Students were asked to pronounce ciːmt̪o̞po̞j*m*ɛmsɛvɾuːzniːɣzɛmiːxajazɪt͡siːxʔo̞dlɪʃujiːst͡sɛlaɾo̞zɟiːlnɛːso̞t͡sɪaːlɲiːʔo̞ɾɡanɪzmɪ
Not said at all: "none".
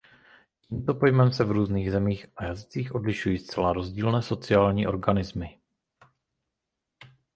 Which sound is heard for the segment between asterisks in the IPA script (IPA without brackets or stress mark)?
m